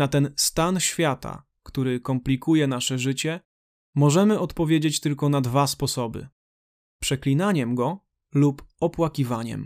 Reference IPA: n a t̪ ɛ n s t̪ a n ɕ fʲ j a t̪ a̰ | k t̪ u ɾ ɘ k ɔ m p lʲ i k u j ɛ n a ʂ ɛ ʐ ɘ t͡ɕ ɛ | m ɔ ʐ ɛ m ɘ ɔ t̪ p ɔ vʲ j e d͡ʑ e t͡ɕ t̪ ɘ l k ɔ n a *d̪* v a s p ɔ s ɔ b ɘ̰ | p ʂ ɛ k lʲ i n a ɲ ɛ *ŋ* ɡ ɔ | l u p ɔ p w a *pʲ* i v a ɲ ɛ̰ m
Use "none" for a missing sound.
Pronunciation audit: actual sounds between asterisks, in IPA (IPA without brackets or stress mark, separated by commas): d̪, m, kʲ